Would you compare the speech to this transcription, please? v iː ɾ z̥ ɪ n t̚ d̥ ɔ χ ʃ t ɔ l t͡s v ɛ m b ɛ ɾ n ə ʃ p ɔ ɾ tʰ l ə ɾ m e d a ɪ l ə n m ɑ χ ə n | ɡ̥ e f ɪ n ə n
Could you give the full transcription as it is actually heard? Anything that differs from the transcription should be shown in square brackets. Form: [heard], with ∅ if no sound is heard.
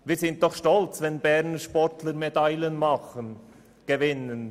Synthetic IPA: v iː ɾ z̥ ɪ n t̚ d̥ ɔ χ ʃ t ɔ l t͡s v ɛ [n] b ɛ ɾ n ə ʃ p ɔ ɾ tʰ l ə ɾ m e d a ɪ l ə n m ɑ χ ə n | ɡ̥ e [v] ɪ n ə n